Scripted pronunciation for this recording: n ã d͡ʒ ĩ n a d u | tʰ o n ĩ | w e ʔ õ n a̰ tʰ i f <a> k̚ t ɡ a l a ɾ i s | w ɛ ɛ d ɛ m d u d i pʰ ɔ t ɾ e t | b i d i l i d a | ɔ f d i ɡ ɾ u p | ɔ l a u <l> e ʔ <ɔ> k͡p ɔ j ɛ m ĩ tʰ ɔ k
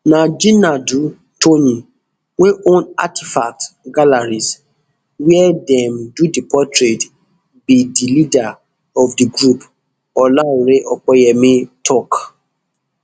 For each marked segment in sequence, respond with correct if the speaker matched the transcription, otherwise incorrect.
correct, incorrect: ɾ, correct

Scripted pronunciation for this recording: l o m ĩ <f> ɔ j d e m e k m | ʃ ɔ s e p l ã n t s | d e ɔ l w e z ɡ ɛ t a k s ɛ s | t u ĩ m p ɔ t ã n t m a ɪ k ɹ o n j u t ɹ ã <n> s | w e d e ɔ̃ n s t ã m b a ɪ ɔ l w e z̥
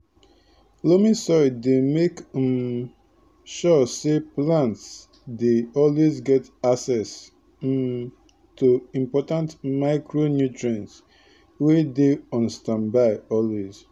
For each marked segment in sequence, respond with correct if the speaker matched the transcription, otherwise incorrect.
incorrect: s, correct

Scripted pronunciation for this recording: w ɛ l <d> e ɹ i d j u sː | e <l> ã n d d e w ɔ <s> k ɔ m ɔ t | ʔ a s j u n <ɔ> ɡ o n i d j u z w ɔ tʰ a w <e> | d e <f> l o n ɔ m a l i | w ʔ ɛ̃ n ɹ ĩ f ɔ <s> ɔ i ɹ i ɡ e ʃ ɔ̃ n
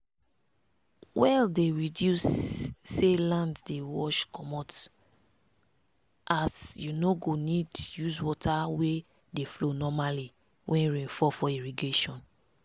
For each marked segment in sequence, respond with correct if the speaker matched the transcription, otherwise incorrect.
correct, correct, incorrect: ʃ, incorrect: o, correct, correct, incorrect: f

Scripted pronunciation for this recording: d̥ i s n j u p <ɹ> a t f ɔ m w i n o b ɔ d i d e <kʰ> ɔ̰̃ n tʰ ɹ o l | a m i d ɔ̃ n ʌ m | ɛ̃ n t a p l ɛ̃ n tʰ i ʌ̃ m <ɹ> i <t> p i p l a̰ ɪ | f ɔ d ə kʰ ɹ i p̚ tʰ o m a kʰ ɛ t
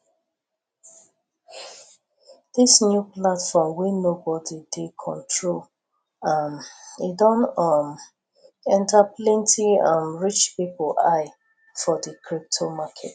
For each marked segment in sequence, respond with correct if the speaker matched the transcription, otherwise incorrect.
incorrect: l, correct, correct, incorrect: t͡ʃ

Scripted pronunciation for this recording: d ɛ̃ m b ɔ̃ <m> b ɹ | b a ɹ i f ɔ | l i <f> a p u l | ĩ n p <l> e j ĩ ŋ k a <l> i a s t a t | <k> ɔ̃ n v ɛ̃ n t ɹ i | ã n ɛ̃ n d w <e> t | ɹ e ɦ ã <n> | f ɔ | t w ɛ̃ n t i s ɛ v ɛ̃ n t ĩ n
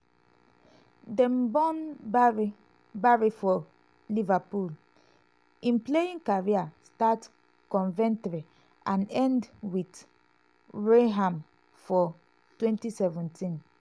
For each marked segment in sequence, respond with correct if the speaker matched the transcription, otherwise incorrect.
incorrect: n, incorrect: v, correct, incorrect: ɹ, correct, incorrect: i, incorrect: m

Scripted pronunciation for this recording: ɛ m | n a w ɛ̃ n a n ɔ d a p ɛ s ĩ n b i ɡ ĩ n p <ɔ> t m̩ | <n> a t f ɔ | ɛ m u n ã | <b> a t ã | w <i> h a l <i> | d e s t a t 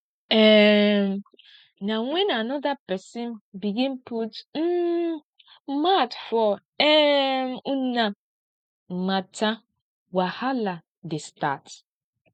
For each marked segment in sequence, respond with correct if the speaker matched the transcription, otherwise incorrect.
incorrect: u, incorrect: m, incorrect: m, incorrect: a, incorrect: a

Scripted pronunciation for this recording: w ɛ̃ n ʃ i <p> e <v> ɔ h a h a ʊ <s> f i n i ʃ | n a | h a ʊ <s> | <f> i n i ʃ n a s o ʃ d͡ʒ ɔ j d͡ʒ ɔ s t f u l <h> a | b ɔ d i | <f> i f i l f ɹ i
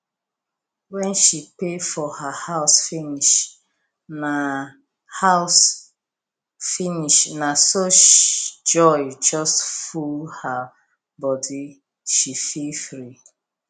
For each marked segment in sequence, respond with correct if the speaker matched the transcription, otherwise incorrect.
correct, incorrect: f, correct, correct, correct, correct, incorrect: ʃ

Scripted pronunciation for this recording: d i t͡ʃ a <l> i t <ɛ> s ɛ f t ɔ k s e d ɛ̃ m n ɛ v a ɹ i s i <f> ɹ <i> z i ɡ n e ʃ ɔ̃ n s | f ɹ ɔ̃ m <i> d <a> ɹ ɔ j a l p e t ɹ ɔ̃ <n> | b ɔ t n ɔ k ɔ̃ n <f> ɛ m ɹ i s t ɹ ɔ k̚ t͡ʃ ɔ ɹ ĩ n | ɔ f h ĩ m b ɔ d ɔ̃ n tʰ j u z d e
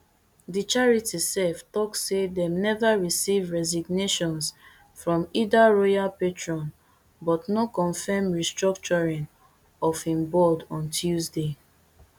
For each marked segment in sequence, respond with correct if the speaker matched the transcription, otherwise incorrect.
incorrect: ɹ, incorrect: i, incorrect: v, incorrect: ɛ, correct, correct, correct, correct

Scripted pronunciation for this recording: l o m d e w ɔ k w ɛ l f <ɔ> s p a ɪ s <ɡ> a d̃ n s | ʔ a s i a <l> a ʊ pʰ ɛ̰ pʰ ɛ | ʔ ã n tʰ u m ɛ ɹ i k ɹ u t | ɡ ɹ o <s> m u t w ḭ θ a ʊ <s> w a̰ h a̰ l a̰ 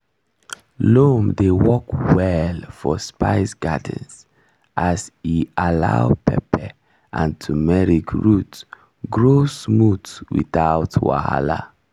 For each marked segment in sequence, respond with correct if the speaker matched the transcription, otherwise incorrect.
correct, correct, correct, correct, incorrect: t

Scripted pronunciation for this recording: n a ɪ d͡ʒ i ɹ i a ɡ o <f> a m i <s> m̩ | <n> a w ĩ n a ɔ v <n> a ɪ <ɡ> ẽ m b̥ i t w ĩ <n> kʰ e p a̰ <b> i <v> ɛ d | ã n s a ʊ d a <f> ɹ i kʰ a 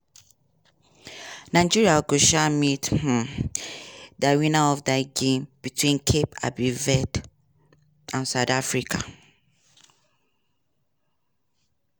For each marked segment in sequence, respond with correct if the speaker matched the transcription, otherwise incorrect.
incorrect: ʃ, incorrect: t, incorrect: d, incorrect: d, correct, correct, correct, correct, correct

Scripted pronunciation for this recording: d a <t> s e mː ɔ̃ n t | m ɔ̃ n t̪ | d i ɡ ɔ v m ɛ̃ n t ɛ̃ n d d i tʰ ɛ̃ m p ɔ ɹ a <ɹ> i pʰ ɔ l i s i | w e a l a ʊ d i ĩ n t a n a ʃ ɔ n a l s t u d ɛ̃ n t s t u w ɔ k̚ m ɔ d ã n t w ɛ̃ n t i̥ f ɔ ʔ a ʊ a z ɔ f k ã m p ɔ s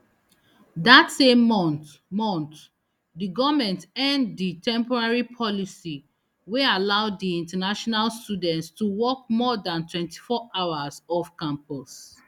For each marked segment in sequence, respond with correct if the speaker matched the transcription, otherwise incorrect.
correct, correct

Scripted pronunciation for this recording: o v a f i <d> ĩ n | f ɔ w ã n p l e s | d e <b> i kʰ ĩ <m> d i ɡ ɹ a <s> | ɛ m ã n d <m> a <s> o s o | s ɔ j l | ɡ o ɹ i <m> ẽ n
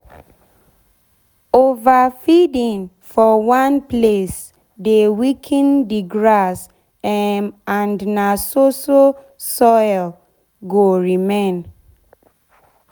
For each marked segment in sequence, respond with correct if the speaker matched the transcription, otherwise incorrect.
correct, incorrect: w, incorrect: n, correct, incorrect: n, correct, correct

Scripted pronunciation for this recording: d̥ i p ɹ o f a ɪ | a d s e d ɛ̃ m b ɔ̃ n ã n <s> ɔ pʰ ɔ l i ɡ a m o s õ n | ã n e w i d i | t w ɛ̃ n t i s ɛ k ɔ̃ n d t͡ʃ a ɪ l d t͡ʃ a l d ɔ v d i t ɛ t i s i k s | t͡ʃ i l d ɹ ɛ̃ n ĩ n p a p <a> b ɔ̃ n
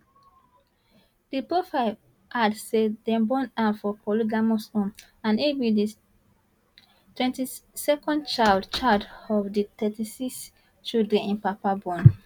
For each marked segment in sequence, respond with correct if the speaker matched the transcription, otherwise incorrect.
incorrect: f, correct

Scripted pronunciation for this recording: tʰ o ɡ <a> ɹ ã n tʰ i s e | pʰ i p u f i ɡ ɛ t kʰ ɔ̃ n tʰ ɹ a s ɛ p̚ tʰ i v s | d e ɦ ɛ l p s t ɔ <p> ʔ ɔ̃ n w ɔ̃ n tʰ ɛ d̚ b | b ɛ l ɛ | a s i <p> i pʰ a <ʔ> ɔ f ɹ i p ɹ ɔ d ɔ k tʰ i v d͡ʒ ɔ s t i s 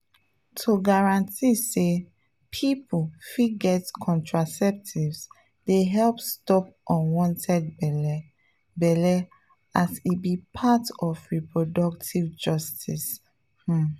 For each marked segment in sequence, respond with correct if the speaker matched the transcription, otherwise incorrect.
correct, correct, incorrect: b, incorrect: t

